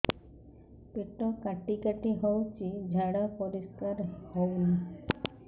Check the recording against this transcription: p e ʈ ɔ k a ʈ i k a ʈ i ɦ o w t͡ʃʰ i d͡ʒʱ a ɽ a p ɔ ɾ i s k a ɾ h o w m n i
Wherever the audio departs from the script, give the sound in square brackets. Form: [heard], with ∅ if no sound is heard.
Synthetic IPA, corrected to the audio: p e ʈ ɔ k a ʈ i k a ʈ i ɦ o w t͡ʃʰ i d͡ʒʱ a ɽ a p ɔ ɾ i s k a ɾ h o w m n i